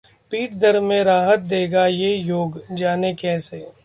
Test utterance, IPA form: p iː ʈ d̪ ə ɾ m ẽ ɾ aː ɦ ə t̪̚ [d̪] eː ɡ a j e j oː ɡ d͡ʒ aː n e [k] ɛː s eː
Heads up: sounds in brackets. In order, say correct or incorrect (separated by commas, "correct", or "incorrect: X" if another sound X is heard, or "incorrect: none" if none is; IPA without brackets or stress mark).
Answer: correct, correct